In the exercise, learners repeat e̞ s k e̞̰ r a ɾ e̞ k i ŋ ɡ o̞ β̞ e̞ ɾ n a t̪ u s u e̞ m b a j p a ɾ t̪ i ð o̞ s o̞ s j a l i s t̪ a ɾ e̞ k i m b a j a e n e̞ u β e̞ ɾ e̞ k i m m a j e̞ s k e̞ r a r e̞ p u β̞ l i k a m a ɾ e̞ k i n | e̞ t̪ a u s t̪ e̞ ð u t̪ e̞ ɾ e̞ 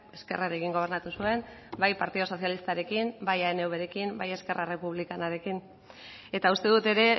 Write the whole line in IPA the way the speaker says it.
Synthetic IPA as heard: e̞ s k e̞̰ r a ɾ e̞ k i ŋ ɡ o̞ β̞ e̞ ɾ n a t̪ u s u e̞ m b a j p a ɾ t̪ i ð o̞ s o̞ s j a l i s t̪ a ɾ e̞ k i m b a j a e n e̞ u β e̞ ɾ e̞ k i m b a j e̞ s k e̞ r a r e̞ p u β̞ l i k a n a ɾ e̞ k i n | e̞ t̪ a u s t̪ e̞ ð u t̪ e̞ ɾ e̞